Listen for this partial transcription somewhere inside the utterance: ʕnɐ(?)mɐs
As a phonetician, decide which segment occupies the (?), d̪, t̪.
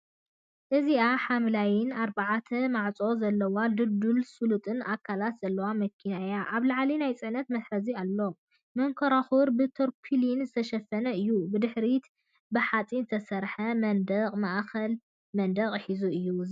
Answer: t̪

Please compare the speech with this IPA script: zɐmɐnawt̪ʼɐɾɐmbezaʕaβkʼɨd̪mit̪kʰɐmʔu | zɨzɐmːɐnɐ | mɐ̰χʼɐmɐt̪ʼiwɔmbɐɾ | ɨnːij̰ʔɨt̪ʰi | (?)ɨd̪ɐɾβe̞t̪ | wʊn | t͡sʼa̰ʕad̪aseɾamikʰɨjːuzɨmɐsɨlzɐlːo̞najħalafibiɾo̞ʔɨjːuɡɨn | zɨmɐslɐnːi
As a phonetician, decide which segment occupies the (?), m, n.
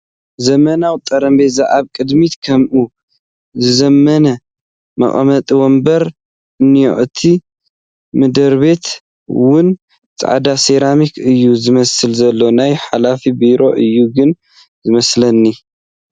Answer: m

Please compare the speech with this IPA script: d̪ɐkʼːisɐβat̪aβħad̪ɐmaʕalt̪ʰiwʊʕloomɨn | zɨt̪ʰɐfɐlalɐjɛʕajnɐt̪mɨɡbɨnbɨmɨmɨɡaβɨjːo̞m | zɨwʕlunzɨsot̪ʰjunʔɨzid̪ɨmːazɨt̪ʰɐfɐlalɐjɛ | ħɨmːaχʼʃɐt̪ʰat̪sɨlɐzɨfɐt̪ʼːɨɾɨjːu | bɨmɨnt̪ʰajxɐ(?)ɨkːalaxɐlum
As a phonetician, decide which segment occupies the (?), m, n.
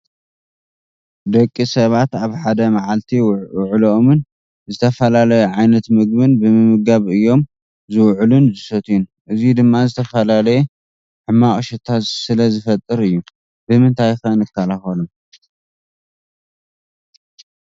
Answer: n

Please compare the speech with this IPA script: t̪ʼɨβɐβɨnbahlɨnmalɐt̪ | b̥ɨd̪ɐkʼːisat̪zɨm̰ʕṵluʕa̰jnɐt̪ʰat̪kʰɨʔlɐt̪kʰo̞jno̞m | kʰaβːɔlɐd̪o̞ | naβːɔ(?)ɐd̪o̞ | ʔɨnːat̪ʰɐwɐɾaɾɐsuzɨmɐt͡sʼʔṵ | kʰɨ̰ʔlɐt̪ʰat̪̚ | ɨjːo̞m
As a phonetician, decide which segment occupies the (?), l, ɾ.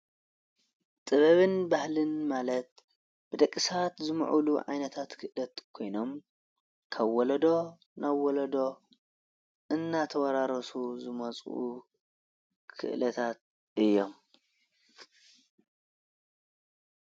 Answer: l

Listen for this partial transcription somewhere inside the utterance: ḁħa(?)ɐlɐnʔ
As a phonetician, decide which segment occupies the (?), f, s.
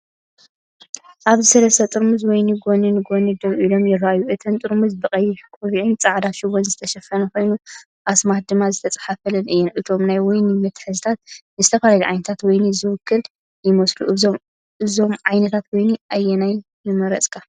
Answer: f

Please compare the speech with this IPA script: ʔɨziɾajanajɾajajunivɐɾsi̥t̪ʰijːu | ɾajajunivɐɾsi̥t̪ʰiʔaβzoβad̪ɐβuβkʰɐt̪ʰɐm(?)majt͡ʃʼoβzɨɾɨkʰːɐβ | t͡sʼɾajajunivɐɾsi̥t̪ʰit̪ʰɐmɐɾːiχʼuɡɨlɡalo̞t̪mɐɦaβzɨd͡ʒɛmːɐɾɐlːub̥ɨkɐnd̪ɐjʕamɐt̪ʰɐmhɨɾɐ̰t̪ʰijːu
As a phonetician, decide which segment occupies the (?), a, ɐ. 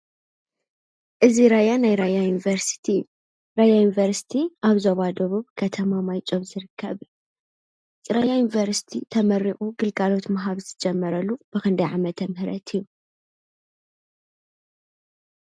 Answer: a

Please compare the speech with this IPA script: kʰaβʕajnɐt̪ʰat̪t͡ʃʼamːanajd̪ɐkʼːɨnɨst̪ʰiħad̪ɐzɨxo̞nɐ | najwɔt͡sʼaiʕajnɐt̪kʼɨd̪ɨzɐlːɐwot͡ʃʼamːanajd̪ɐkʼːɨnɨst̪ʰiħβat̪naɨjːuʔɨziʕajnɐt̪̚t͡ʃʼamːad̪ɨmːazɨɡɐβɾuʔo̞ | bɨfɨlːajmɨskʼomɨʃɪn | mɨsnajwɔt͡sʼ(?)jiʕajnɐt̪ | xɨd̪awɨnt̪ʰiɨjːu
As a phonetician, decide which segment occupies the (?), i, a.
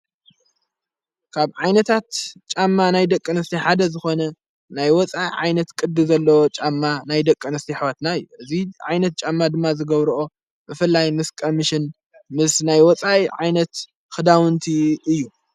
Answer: a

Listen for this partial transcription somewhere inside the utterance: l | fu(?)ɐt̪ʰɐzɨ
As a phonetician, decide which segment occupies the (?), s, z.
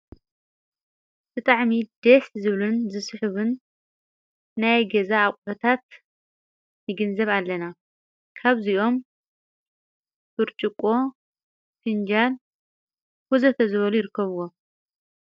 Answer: z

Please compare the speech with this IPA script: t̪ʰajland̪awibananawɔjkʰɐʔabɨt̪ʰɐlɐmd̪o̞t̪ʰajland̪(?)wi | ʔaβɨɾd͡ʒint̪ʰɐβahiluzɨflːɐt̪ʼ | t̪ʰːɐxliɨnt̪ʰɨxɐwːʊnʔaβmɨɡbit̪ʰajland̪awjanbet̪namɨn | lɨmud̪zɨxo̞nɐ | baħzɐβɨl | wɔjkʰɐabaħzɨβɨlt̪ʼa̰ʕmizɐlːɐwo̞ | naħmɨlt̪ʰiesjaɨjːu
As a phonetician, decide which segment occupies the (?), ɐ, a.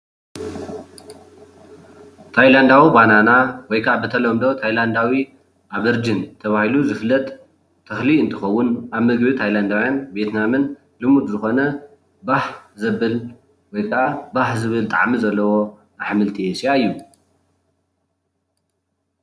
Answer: a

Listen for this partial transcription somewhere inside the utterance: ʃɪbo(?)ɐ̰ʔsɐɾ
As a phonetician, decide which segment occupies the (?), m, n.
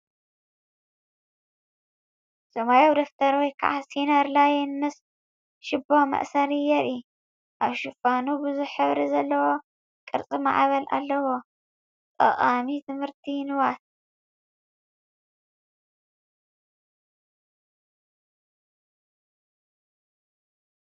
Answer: m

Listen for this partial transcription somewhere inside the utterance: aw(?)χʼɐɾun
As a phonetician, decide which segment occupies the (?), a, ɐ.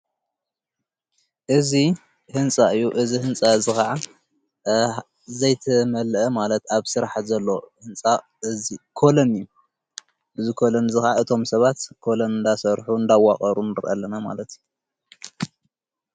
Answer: a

